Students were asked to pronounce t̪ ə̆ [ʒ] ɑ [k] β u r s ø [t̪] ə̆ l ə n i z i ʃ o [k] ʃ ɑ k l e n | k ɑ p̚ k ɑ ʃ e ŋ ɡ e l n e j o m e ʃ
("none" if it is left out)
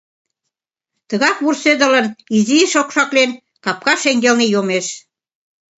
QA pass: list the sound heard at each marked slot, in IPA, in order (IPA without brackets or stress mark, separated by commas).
ɣ, k, d̪, k